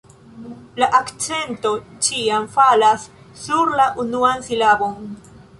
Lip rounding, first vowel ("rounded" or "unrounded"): unrounded